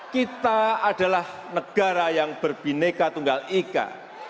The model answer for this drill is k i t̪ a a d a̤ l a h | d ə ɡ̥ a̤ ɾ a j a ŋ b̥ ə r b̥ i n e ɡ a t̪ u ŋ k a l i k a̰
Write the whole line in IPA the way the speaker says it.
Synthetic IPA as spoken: k i t̪ a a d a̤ l a h | n ə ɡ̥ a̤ ɾ a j a ŋ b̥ ə r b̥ i n e k a t̪ u ŋ ɡ a l i k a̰